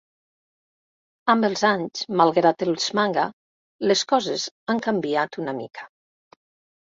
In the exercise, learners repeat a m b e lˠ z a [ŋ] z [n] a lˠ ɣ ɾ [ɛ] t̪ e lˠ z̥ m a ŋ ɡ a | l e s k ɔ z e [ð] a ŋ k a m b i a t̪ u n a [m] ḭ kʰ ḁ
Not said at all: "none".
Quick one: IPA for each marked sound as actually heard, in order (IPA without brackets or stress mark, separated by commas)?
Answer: ɲ, m, a, z, m